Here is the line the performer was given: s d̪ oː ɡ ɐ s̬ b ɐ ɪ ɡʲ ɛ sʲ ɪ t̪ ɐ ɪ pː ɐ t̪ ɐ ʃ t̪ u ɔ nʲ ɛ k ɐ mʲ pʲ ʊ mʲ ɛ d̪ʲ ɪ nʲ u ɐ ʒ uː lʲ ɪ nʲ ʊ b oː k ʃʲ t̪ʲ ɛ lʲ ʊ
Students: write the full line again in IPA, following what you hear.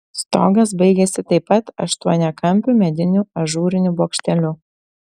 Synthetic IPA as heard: s t̪ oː ɡ ɐ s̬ b ɐ ɪ ɡʲ ɛ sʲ ɪ t̪ ɐ ɪ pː ɐ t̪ ɐ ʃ t̪ u ɔ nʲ ɛ k ɐ mʲ pʲ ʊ mʲ ɛ d̪ʲ ɪ nʲ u ɐ ʒ uː ɾʲ ɪ nʲ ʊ b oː k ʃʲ t̪ʲ ɛ lʲ ʊ

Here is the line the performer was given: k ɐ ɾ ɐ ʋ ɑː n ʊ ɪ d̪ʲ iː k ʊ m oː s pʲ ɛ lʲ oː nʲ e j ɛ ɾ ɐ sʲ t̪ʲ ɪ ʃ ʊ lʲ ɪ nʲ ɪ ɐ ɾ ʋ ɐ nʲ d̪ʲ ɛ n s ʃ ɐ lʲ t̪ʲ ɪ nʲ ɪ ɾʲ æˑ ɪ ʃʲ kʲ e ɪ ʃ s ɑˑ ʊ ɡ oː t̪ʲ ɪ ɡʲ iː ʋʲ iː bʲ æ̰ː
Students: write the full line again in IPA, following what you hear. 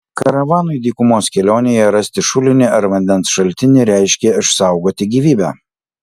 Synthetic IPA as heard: k ɐ ɾ ɐ ʋ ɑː n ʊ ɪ d̪ʲ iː k ʊ m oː s kʲ ɛ lʲ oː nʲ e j ɛ ɾ ɐ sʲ t̪ʲ ɪ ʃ ʊ lʲ ɪ nʲ ɪ ɐ ɾ ʋ ɐ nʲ d̪ʲ ɛ n s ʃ ɐ lʲ t̪ʲ ɪ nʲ ɪ ɾʲ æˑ ɪ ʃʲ kʲ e ɪ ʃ s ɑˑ ʊ ɡ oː t̪ʲ ɪ ɡʲ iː ʋʲ iː bʲ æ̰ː

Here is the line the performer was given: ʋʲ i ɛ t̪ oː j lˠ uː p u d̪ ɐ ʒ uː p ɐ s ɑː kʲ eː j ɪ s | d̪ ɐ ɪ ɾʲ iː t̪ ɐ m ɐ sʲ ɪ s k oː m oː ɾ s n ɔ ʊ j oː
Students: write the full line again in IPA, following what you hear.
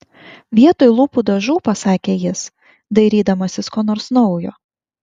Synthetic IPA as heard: ʋʲ i ɛ t̪ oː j lˠ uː p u d̪ ɐ ʒ uː p ɐ s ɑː kʲ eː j ɪ s | d̪ ɐ ɪ ɾʲ iː d̪ ɐ m ɐ sʲ ɪ s k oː n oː ɾ s n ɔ ʊ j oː

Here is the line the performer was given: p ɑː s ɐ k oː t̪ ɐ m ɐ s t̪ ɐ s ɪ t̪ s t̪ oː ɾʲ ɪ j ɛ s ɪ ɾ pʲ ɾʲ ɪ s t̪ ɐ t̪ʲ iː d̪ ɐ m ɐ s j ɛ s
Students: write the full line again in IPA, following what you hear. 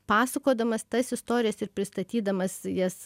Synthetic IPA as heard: p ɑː s ɐ k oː d̪ ɐ m ɐ s t̪ ɐ s ɪ s t̪ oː ɾʲ ɪ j ɛ s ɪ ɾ pʲ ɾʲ ɪ s t̪ ɐ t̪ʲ iː d̪ ɐ m ɐ s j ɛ s

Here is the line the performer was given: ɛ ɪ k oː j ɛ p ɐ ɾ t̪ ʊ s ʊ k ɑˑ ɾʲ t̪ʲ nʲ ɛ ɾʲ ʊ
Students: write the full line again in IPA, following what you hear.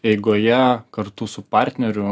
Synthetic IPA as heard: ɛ ɪ ɡ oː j ɛ k ɐ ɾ t̪ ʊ s ʊ p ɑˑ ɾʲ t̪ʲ nʲ ɛ ɾʲ ʊ

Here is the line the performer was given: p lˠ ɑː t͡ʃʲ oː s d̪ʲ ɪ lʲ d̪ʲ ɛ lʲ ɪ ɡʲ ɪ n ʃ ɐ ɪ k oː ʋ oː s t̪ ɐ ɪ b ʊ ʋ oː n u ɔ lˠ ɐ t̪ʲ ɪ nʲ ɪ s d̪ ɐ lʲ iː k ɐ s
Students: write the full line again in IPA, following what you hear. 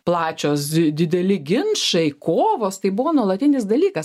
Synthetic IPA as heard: p lˠ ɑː t͡ʃʲ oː s d̪ʲ ɪ d̪ʲ ɛ lʲ ɪ ɡʲ ɪ n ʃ ɐ ɪ k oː ʋ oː s t̪ ɐ ɪ b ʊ ʋ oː n u ɔ lˠ ɐ t̪ʲ ɪ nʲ ɪ s d̪ ɐ lʲ iː k ɐ s

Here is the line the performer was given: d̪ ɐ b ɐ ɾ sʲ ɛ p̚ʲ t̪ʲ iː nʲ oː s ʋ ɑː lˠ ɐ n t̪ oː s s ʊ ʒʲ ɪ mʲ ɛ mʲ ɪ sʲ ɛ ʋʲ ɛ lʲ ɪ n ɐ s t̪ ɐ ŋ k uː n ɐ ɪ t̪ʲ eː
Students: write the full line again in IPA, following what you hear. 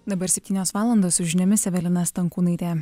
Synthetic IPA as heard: d̪ ɐ b ɐ ɾ sʲ ɛ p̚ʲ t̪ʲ iː nʲ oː s ʋ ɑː lˠ ɐ n d̪ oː s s ʊ ʒʲ ɪ nʲ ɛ mʲ ɪ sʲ ɛ ʋʲ ɛ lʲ ɪ n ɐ s t̪ ɐ ŋ k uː n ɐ ɪ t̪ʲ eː

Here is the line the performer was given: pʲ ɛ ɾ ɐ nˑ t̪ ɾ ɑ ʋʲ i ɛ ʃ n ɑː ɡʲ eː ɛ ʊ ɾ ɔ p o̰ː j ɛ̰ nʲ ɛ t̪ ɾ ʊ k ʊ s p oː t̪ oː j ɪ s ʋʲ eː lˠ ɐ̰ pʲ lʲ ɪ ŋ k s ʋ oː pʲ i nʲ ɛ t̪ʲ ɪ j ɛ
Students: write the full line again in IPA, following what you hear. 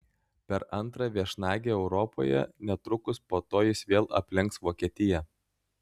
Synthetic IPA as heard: pʲ ɛ ɾ ɐ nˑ t̪ ɾ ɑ ʋʲ i ɛ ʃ n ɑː ɡʲ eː ɛ ʊ ɾ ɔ p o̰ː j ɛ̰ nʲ ɛ t̪ ɾ ʊ k ʊ s p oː t̪ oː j ɪ s ʋʲ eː lˠ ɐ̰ pʲ lʲ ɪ ŋ k s ʋ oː kʲ i ɛ t̪ʲ ɪ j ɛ

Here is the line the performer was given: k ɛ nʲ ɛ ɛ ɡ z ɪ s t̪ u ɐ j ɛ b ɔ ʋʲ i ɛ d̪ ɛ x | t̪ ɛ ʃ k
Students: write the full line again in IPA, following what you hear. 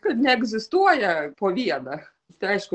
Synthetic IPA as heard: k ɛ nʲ ɛ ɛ ɡ z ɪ s t̪ u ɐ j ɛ p ɔ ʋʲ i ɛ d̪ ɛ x | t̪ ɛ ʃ k

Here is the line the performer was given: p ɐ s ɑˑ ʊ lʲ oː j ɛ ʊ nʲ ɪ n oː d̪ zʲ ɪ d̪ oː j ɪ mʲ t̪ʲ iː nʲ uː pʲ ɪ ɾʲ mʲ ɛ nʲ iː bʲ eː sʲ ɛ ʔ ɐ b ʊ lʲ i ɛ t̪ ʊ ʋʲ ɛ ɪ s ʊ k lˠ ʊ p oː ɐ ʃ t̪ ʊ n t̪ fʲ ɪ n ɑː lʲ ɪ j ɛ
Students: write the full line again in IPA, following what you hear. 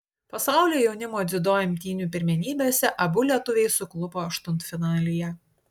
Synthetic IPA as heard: p ɐ s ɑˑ ʊ lʲ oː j ɛ ʊ nʲ ɪ m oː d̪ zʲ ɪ d̪ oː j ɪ mʲ t̪ʲ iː nʲ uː pʲ ɪ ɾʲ mʲ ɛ nʲ iː bʲ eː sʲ ɛ ʔ ɐ b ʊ lʲ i ɛ t̪ ʊ ʋʲ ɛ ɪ s ʊ k lˠ ʊ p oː ɐ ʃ t̪ ʊ n t̪ fʲ ɪ n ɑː lʲ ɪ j ɛ

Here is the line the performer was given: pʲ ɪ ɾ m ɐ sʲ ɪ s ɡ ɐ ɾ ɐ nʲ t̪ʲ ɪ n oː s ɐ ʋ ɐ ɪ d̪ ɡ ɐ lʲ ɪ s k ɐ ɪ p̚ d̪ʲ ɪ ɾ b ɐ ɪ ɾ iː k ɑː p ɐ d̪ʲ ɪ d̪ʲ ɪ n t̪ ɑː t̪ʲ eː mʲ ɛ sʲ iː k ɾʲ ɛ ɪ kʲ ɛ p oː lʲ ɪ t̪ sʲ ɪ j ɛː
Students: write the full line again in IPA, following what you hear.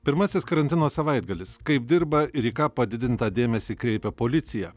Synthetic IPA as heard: pʲ ɪ ɾ m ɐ sʲ ɪ s k ɐ ɾ ɐ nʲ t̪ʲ ɪ n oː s ɐ ʋ ɐ ɪ d̪ ɡ ɐ lʲ ɪ s k ɐ ɪ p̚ d̪ʲ ɪ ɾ b ɐ ɪ ɾ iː k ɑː p ɐ d̪ʲ ɪ d̪ʲ ɪ n t̪ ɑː d̪ʲ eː mʲ ɛ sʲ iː k ɾʲ ɛ ɪ pʲ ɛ p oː lʲ ɪ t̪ sʲ ɪ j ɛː

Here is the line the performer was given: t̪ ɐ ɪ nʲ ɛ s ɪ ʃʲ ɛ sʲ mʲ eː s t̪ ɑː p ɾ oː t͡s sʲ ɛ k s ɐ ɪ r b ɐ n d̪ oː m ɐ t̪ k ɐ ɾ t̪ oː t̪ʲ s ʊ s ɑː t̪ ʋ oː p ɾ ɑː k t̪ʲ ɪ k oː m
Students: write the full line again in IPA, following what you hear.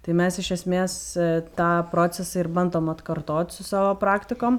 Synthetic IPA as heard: t̪ ɐ ɪ mʲ ɛ s ɪ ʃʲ ɛ sʲ mʲ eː s t̪ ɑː p ɾ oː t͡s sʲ ɛ s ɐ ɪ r b ɐ n d̪ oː m ɐ t̪ k ɐ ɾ t̪ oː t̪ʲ s ʊ s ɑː ʋ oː p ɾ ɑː k t̪ʲ ɪ k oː m

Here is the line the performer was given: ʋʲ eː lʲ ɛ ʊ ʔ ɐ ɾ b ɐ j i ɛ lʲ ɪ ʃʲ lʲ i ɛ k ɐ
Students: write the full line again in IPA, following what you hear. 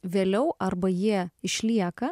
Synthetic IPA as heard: ʋʲ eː lʲ ɛ ʊ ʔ ɐ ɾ b ɐ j i ɛ ɪ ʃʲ lʲ i ɛ k ɐ

